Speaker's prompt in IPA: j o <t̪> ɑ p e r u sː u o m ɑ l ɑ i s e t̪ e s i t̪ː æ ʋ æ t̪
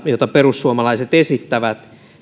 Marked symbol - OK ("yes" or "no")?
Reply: yes